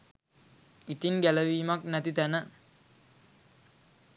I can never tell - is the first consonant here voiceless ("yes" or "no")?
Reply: yes